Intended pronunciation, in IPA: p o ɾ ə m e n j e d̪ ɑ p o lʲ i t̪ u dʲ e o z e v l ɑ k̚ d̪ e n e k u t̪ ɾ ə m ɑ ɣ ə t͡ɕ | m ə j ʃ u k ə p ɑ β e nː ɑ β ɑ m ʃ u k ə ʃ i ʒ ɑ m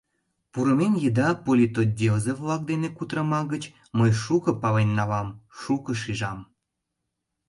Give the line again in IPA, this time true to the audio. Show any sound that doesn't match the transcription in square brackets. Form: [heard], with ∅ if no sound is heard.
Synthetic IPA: p [u] ɾ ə m e n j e d̪ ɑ p o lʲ i t̪ [o] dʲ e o z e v l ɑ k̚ d̪ e n e k u t̪ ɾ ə m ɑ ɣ ə t͡ɕ | m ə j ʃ u k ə p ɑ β e nː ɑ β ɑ m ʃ u k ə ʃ i ʒ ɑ m